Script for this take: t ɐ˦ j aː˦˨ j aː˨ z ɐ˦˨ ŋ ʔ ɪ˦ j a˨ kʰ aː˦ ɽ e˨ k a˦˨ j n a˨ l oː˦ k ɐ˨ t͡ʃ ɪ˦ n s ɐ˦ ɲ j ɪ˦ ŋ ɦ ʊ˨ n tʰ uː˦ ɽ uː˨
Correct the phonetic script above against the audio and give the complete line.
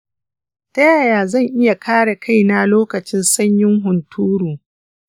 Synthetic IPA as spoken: t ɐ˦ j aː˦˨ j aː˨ z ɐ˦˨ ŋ ʔ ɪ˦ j a˨ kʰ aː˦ ɽ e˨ k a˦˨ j n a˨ l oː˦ k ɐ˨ t͡ʃ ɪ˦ n s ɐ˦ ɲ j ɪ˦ ŋ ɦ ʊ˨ n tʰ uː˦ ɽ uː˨